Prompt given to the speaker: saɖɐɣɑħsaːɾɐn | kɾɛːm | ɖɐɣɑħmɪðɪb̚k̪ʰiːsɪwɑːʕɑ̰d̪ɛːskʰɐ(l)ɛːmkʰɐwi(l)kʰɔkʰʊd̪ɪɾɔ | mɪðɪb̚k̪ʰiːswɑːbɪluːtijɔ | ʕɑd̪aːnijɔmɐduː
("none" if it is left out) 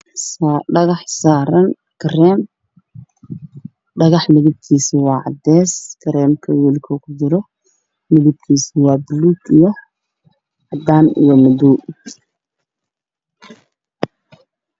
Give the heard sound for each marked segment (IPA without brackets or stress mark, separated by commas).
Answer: ɾ, l